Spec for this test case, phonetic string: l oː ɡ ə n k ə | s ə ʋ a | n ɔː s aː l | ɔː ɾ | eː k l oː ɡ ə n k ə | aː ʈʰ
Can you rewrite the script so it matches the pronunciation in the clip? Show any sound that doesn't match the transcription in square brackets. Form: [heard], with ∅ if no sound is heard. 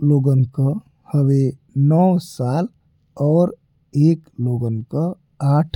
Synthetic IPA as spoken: l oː ɡ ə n k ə | [h] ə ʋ [e] | n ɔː s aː l | ɔː ɾ | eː k l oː ɡ ə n k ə | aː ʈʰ